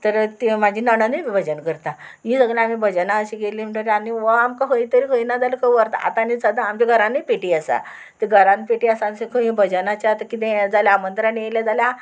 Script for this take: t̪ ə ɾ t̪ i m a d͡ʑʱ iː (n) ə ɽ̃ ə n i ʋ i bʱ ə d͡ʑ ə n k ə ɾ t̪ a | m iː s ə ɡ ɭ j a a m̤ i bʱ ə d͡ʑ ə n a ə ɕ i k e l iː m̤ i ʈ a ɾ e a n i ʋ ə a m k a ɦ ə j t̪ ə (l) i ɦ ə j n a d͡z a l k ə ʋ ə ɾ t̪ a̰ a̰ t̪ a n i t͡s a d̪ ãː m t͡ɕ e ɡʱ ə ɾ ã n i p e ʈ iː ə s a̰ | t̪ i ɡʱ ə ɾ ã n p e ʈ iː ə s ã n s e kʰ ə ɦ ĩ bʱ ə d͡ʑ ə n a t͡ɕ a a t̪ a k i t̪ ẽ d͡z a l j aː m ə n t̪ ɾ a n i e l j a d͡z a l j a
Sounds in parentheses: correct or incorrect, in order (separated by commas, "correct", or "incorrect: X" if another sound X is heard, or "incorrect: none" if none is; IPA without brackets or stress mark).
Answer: correct, incorrect: ɾ